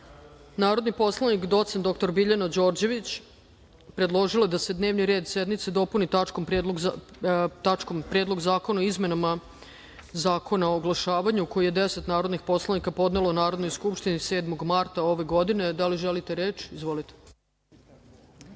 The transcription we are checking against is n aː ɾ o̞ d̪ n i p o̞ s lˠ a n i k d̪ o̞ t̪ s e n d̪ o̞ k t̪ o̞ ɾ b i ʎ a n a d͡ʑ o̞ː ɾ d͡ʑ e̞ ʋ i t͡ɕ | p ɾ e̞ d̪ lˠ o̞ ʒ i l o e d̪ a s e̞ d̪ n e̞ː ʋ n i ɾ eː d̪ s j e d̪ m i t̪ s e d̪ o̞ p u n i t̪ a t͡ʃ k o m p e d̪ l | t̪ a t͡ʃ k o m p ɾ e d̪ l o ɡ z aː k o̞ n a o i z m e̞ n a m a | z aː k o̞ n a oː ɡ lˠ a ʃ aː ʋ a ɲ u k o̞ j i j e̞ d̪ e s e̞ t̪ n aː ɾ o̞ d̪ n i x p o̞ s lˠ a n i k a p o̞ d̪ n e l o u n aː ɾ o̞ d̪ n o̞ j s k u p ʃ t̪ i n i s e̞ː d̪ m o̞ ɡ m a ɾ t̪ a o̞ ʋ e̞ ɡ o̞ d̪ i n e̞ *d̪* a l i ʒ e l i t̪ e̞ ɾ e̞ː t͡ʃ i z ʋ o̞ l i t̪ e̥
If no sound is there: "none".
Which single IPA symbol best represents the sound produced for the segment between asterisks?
d̪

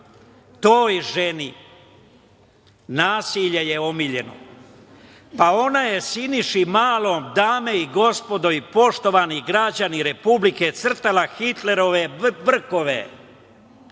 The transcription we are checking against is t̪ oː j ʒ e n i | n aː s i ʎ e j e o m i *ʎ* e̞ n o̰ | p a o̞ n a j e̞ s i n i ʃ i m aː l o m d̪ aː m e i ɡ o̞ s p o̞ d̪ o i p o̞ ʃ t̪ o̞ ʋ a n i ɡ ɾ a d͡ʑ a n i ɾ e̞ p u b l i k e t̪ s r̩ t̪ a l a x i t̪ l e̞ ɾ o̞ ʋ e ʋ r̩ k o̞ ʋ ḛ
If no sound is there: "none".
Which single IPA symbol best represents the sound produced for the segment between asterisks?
ʎ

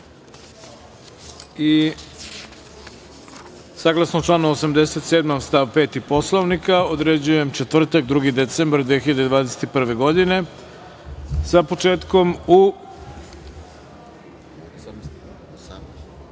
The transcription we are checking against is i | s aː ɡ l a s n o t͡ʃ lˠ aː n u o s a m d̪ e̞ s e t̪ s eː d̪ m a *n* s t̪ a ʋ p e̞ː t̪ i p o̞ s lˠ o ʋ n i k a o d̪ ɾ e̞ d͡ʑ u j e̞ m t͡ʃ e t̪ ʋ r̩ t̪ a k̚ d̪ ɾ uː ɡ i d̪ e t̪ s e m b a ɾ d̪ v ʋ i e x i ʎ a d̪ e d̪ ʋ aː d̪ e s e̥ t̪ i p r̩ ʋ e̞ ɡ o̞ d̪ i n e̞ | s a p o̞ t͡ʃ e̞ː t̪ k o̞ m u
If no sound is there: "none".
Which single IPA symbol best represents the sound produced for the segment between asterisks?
m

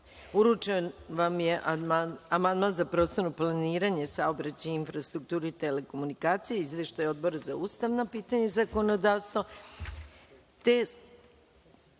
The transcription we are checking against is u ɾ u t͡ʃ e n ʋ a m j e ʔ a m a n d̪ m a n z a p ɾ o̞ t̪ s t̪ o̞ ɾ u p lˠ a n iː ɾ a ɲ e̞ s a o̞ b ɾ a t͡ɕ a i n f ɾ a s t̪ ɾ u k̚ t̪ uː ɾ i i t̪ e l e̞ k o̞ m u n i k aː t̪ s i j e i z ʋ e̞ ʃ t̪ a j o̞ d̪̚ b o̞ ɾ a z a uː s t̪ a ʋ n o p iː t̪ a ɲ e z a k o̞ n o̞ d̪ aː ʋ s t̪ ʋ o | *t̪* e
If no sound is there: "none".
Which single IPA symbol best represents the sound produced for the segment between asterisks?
t̪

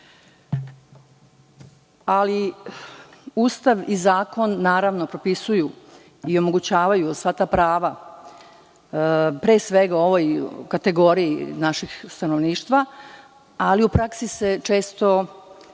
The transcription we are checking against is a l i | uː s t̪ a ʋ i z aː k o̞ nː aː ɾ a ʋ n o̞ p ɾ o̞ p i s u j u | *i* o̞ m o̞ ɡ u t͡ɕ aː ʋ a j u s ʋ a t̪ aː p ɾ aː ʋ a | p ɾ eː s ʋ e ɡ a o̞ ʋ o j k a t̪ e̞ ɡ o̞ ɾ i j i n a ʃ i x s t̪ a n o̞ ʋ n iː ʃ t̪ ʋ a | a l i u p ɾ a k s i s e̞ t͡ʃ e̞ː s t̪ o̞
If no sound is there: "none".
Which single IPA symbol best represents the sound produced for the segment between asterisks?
i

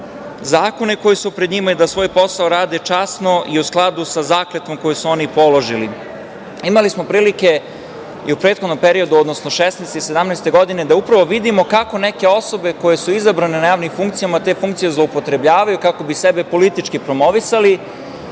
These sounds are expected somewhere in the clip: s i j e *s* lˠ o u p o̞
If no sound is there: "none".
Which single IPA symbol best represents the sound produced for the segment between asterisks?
z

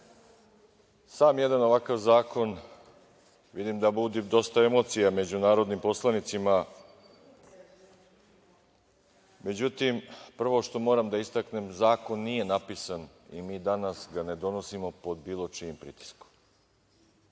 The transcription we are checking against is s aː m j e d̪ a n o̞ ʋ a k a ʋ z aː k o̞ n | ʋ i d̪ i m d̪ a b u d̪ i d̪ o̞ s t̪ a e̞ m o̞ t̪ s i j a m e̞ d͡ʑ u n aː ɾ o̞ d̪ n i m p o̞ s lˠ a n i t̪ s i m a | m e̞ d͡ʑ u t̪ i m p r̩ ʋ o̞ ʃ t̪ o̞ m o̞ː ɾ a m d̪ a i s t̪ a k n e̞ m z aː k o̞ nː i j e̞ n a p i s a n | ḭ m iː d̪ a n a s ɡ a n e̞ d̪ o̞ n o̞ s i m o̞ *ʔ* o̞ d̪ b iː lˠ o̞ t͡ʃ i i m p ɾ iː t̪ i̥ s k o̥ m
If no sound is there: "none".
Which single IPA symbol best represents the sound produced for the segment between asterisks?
p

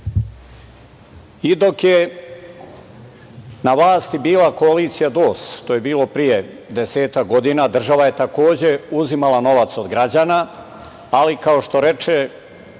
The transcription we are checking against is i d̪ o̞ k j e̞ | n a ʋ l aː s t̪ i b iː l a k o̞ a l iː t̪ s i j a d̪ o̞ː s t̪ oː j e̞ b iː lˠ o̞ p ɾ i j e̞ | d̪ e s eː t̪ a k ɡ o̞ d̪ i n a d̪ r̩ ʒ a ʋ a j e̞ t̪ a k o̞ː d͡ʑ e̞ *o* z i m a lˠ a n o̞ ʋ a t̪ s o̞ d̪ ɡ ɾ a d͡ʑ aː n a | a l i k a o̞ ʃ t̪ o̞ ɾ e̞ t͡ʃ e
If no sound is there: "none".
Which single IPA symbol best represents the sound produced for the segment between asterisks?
u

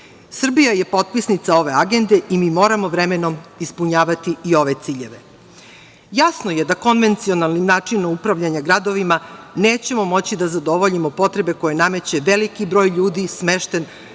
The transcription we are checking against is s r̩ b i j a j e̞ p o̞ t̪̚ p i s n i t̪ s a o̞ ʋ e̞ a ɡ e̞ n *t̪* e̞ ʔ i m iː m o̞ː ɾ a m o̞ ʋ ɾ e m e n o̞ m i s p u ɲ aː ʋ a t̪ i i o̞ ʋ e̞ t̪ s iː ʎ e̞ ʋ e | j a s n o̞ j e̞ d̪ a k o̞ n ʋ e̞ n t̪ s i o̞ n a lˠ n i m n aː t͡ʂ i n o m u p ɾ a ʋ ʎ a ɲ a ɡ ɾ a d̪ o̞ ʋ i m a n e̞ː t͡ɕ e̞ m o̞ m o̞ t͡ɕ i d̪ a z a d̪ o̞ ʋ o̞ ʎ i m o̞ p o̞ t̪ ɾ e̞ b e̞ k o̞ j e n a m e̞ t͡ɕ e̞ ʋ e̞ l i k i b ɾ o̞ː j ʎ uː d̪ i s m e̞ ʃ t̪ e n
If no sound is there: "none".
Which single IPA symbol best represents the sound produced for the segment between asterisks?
d̪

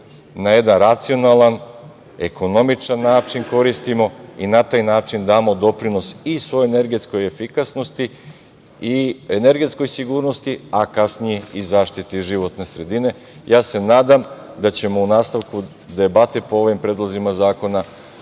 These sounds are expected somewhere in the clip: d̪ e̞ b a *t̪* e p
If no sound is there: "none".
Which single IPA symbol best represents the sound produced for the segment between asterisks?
t̪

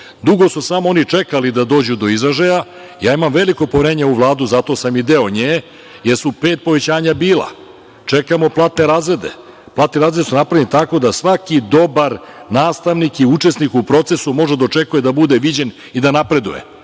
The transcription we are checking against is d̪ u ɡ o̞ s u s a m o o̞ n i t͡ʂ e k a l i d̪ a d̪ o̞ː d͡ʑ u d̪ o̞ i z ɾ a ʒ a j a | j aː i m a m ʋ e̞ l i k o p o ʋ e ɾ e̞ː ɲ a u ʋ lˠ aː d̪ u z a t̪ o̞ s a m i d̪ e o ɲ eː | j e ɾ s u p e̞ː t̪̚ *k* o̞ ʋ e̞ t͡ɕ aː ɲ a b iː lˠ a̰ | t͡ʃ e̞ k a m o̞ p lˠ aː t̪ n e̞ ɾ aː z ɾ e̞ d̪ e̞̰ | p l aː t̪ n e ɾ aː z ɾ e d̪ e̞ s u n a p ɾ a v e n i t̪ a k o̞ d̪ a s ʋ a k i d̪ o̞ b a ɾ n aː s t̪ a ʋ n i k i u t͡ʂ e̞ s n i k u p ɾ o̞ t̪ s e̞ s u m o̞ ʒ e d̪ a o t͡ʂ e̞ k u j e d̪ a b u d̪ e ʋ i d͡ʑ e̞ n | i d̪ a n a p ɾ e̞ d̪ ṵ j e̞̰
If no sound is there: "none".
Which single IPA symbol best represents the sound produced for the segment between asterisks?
p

